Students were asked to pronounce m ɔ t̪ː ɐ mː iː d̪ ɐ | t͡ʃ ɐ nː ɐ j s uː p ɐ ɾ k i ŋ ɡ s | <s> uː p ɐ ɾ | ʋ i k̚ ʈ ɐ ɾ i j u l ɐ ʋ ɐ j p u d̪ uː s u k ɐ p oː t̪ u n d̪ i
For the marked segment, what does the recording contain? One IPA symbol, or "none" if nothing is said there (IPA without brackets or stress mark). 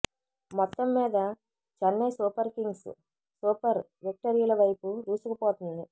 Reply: s